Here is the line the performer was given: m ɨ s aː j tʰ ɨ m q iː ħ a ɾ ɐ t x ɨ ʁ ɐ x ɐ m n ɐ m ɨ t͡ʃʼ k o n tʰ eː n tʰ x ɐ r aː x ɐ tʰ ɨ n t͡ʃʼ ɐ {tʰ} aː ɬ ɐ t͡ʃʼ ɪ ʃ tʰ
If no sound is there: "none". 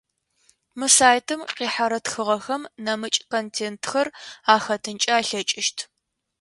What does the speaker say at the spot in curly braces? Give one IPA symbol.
none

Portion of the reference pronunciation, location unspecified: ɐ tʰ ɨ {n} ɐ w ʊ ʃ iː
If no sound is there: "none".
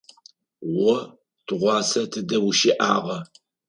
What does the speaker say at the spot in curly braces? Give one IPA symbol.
d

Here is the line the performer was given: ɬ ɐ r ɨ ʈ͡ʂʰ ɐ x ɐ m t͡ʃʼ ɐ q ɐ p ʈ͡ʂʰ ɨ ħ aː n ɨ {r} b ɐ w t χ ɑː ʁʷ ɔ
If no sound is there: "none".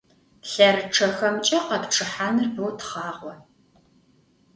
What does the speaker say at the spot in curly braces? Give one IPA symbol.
r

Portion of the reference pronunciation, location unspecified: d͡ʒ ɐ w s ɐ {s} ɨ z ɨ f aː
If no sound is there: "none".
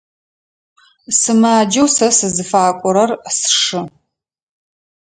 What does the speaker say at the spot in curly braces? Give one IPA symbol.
s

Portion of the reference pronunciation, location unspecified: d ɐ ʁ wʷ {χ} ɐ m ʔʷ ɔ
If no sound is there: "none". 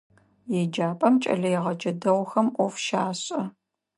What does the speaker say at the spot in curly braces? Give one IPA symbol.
x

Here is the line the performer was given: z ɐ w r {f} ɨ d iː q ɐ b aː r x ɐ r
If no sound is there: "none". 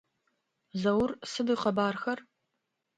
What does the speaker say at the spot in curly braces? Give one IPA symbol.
s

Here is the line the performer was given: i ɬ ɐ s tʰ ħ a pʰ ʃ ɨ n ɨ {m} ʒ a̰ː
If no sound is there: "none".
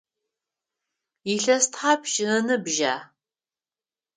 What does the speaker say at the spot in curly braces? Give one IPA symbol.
b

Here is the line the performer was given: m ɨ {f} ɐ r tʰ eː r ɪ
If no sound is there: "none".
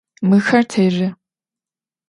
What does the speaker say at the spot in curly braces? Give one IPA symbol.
x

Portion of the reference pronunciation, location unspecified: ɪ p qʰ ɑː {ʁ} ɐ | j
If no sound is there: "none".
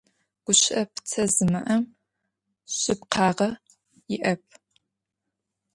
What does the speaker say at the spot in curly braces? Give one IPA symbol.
ʁ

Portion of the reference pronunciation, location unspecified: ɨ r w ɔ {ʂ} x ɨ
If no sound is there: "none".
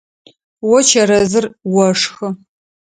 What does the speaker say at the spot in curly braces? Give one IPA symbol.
ʂ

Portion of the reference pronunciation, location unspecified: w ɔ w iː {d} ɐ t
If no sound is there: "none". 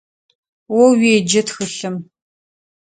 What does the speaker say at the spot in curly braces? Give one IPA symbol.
d͡ʒ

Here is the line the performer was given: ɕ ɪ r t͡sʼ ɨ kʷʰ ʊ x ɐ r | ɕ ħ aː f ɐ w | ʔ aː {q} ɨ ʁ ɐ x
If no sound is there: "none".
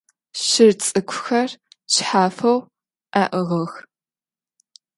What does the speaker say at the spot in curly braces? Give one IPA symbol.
ʔ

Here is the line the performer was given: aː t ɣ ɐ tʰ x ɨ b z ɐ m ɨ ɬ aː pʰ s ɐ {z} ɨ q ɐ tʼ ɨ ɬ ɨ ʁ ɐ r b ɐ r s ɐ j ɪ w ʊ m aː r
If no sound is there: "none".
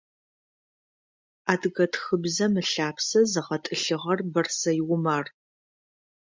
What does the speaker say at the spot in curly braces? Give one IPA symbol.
z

